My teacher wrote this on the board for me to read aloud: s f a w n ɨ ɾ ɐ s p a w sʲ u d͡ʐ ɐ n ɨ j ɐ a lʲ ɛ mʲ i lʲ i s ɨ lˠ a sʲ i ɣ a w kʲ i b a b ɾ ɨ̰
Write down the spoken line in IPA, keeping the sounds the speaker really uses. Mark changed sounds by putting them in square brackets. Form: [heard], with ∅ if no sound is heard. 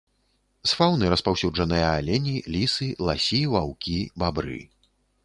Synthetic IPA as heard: s f a w n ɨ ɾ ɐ s p a w sʲ u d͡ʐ ɐ n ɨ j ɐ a lʲ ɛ [nʲ] i lʲ i s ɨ lˠ a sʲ i [v] a w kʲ i b a b ɾ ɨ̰

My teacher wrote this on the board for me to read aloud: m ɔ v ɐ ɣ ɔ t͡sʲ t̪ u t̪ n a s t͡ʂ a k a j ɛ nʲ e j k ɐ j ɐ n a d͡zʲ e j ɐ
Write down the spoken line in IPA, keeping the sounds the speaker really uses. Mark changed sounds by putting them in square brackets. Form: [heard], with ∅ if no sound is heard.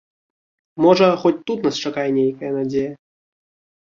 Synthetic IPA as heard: m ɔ [ʐ] ɐ [x] ɔ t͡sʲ t̪ u t̪ n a s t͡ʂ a k a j ɛ nʲ e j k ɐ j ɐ n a d͡zʲ e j ɐ

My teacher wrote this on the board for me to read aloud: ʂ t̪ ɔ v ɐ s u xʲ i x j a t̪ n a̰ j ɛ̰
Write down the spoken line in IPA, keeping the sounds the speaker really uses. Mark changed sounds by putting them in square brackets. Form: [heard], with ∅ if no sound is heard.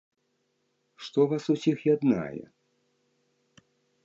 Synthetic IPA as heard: ʂ t̪ ɔ v [a] s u [sʲ] i x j a [d̪] n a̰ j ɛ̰

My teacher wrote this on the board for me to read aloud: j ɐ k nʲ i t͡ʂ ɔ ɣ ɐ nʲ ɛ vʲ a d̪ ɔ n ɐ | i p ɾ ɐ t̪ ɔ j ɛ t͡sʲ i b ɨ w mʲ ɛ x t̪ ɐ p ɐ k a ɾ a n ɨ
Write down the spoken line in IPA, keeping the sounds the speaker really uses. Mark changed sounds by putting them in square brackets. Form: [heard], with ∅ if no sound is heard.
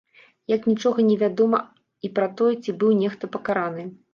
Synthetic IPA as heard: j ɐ k nʲ i t͡ʂ ɔ ɣ ɐ nʲ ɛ vʲ a d̪ ɔ [m] ɐ | i p ɾ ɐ t̪ ɔ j ɛ t͡sʲ i b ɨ w [nʲ] ɛ x t̪ ɐ p ɐ k a ɾ a n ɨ

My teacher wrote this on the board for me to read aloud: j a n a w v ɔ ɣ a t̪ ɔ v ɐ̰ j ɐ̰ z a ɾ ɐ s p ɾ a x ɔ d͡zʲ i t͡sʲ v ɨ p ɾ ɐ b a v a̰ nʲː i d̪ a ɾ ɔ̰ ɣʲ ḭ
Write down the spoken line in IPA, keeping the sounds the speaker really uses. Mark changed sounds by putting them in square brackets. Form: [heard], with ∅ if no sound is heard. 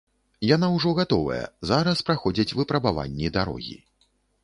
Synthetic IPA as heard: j a n a w [ʐ] ɔ ɣ a t̪ ɔ v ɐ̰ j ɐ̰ z a ɾ ɐ s p ɾ a x ɔ d͡zʲ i t͡sʲ v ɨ p ɾ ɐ b a v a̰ nʲː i d̪ a ɾ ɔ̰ ɣʲ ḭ

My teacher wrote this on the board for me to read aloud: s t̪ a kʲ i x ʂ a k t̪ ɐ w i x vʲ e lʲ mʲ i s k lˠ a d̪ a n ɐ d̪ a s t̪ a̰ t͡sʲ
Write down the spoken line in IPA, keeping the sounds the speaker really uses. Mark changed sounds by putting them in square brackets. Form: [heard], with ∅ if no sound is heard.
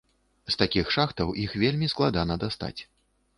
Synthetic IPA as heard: s t̪ a kʲ i x ʂ a [x] t̪ ɐ w i x vʲ e lʲ mʲ i s k lˠ a d̪ a n ɐ d̪ a s t̪ a̰ t͡sʲ

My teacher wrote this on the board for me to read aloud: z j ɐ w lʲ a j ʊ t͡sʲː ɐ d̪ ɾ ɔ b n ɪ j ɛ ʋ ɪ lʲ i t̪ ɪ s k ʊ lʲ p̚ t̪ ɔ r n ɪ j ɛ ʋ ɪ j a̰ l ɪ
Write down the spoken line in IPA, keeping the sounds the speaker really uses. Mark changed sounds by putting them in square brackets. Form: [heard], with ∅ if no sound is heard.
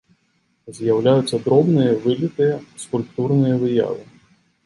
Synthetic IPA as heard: z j ɐ w lʲ a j ʊ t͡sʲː ɐ d̪ ɾ ɔ b n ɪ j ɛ ʋ ɪ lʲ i t̪ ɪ s k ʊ lʲ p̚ t̪ [u] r n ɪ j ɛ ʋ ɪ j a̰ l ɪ

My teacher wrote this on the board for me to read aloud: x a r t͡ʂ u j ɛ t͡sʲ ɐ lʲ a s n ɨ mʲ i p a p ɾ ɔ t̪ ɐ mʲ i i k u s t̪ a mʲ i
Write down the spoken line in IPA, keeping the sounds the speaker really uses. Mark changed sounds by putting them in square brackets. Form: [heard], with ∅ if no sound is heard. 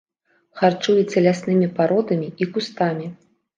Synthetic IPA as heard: x a r t͡ʂ u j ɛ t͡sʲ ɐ lʲ a s n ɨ mʲ i p a [∅] ɾ ɔ [d̪] ɐ mʲ i i k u s t̪ a mʲ i

